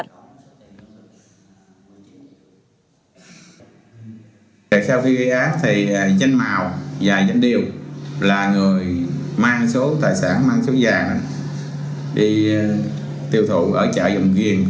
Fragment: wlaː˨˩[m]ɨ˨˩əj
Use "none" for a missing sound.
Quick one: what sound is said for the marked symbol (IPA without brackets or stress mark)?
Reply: ŋ